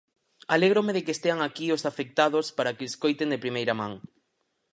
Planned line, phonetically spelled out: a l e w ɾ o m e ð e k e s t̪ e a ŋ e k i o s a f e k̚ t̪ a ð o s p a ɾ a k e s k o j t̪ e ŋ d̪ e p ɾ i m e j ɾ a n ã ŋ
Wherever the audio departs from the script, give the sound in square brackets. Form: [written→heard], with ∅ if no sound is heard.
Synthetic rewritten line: a l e [w→ɣ] ɾ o m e ð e k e s t̪ e a ŋ [e→a] k i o s a f e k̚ t̪ a ð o s p a ɾ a k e s k o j t̪ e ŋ d̪ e p ɾ i m e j ɾ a [n→m] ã ŋ